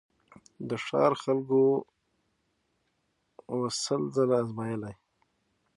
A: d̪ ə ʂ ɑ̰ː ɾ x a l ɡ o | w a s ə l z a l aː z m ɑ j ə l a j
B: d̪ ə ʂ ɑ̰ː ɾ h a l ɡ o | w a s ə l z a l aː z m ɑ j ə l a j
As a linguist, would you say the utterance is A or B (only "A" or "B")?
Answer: A